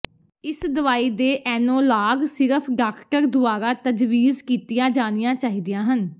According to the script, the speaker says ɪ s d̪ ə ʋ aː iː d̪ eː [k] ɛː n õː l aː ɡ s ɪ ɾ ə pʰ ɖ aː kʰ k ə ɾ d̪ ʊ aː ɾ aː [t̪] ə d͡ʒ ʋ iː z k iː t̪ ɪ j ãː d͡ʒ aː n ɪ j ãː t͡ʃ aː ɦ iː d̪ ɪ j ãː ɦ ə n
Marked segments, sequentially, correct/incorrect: incorrect: ʔ, correct

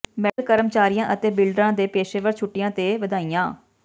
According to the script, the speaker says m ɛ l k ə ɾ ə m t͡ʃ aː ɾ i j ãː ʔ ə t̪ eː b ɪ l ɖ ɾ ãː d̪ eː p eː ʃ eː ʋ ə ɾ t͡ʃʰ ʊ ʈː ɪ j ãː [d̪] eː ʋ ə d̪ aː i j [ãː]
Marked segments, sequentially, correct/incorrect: incorrect: t̪, correct

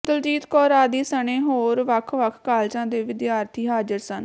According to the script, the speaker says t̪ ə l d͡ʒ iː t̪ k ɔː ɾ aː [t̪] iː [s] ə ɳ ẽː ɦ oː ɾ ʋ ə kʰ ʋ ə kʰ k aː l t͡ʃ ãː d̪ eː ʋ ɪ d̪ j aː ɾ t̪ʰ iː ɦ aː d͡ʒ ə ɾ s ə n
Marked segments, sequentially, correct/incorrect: incorrect: d̪, correct

